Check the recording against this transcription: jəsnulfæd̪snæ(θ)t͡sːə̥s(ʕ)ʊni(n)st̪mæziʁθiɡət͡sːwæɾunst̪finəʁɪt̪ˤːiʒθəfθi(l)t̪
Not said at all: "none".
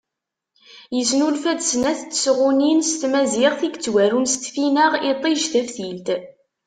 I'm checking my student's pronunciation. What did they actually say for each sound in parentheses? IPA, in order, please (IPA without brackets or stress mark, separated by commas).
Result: θ, ʁ, n, l